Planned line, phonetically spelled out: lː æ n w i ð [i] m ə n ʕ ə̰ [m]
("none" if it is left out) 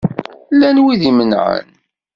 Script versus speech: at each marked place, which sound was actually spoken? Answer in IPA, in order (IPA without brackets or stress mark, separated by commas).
i, n